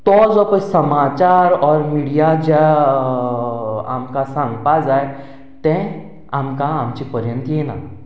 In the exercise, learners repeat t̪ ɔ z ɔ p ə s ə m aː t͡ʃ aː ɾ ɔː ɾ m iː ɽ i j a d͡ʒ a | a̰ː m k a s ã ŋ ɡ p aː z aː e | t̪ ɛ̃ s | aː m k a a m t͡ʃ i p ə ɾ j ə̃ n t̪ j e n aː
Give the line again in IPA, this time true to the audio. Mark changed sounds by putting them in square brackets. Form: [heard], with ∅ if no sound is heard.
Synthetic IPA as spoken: t̪ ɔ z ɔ p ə s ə m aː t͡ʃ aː ɾ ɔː ɾ m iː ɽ i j a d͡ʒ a | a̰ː m k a s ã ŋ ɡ p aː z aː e | t̪ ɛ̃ [∅] | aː m k a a m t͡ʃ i p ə ɾ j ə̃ n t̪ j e n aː

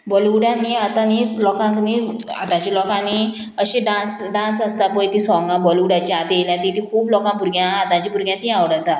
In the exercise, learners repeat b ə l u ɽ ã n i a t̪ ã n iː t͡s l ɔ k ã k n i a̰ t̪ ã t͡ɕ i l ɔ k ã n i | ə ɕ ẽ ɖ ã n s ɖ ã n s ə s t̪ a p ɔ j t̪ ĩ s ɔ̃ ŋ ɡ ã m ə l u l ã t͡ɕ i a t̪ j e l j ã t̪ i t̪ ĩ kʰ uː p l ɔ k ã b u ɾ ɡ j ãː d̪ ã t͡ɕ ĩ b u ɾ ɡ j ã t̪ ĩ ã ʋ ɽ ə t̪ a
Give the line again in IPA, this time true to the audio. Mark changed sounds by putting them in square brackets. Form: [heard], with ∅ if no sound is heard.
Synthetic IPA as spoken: b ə l u ɽ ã n i a t̪ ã n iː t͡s l ɔ k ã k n i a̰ t̪ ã t͡ɕ i l ɔ k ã n i | ə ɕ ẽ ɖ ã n s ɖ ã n s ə s t̪ a p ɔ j t̪ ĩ s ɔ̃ ŋ ɡ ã [b] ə l u [ɽ] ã t͡ɕ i a t̪ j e l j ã t̪ i t̪ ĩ kʰ uː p l ɔ k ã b u ɾ ɡ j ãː [t̪] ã t͡ɕ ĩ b u ɾ ɡ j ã t̪ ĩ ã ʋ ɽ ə t̪ a

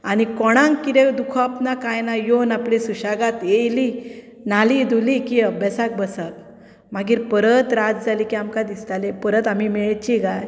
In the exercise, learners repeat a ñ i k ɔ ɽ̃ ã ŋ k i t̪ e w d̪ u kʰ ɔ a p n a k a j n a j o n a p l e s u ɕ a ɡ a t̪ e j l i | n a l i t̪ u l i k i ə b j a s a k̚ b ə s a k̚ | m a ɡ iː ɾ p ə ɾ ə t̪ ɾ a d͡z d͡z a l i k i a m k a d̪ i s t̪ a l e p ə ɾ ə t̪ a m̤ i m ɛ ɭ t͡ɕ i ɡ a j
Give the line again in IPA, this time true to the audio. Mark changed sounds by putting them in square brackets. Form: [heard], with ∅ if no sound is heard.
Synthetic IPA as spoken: a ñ i k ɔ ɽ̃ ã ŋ k i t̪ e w d̪ u kʰ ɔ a p n a k a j n a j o n a p l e s u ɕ a ɡ a t̪ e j l i | n a l i [d̪] u l i k i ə b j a s a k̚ b ə s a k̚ | m a ɡ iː ɾ p ə ɾ ə t̪ ɾ a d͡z d͡z a l i k i a m k a d̪ i s t̪ a l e p ə ɾ ə t̪ a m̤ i m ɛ ɭ t͡ɕ i ɡ a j

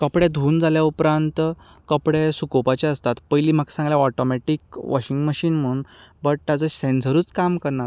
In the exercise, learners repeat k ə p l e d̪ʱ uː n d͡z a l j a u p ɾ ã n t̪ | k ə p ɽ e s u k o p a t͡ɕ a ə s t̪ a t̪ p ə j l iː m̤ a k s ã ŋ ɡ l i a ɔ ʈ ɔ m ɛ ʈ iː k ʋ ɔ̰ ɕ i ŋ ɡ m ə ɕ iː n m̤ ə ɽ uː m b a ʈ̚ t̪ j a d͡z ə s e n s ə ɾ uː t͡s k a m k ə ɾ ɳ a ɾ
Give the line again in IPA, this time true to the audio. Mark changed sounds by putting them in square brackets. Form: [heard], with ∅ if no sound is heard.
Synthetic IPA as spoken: k ə p [ɽ] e d̪ʱ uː n d͡z a l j a u p ɾ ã n t̪ | k ə p ɽ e s u k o p a t͡ɕ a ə s t̪ a t̪ p ə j l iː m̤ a k s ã ŋ ɡ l [j] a ɔ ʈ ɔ m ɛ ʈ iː k ʋ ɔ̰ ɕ i ŋ ɡ m ə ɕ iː n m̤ ə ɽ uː [n] b [ə] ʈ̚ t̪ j a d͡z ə s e n s ə ɾ uː t͡s k a m k ə ɾ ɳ a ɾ

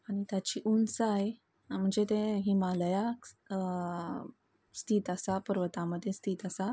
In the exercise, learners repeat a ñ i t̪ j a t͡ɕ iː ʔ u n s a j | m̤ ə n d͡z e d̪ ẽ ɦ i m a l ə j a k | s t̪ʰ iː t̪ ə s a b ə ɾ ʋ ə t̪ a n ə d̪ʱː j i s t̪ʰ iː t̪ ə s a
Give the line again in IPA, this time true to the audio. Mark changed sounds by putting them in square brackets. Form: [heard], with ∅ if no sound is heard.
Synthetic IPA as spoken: a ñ i t̪ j a t͡ɕ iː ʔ u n s a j | m̤ ə [ɳ] d͡z e [t̪] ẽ ɦ i m a l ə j a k | s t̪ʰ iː t̪ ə s a [p] ə ɾ ʋ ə t̪ a [m] ə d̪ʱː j [e] s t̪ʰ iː t̪ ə s a

